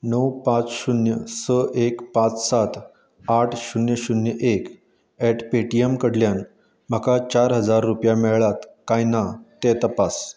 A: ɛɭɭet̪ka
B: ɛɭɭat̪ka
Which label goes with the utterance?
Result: B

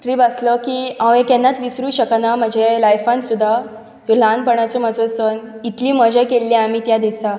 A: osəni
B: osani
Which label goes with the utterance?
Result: A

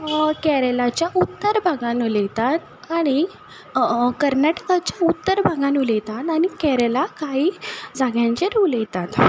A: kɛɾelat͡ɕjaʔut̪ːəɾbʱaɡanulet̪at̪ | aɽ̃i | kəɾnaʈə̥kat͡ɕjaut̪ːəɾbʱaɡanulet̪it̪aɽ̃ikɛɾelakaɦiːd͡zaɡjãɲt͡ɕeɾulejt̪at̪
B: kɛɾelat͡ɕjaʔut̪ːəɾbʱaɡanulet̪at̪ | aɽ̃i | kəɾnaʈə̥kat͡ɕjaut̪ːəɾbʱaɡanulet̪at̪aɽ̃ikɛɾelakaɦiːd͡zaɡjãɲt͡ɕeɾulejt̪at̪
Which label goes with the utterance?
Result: B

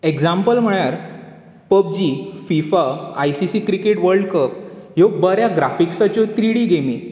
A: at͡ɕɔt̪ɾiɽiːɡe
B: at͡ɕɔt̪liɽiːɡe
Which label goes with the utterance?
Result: A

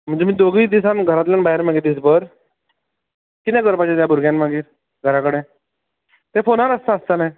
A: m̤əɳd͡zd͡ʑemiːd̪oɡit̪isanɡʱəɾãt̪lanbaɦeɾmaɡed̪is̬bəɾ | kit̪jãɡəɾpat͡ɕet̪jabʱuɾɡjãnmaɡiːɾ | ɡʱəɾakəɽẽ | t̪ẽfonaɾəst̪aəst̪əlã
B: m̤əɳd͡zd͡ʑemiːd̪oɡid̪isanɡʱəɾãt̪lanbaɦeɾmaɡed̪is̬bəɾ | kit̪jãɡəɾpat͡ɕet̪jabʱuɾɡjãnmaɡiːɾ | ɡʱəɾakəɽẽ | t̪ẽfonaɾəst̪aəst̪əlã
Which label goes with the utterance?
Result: B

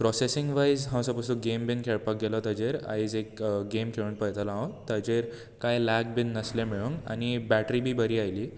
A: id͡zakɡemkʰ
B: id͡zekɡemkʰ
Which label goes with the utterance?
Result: B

